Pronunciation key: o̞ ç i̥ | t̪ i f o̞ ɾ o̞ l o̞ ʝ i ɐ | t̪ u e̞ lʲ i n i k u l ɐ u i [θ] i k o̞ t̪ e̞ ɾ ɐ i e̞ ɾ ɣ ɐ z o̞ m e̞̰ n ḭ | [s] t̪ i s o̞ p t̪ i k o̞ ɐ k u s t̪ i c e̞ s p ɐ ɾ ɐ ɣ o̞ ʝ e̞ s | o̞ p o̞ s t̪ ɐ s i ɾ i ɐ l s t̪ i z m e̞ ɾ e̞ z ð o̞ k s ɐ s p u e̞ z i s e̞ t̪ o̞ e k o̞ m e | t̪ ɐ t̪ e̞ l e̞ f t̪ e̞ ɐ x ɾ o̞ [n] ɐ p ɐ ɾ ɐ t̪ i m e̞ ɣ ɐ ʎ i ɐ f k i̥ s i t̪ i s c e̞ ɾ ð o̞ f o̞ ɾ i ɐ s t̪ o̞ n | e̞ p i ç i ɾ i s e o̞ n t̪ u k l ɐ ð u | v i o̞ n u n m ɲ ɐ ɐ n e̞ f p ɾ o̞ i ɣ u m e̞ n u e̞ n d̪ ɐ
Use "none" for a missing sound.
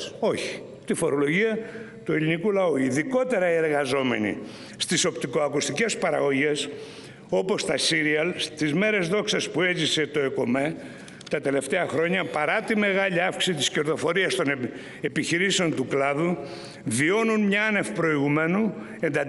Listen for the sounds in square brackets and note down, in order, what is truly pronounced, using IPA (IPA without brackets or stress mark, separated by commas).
ð, s, ɲ